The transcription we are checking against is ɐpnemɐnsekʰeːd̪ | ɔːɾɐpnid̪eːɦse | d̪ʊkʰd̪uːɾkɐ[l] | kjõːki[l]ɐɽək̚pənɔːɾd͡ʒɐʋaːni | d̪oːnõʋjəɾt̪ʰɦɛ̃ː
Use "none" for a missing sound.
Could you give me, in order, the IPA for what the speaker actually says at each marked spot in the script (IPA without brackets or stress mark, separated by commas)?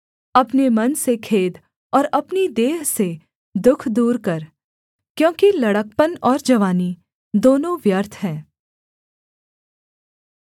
ɾ, l